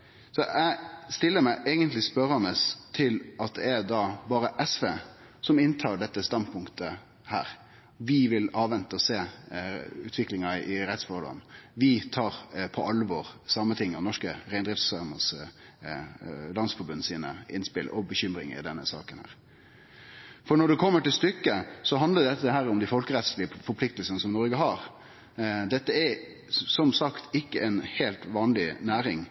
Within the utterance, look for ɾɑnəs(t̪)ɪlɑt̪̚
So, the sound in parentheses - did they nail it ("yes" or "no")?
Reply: no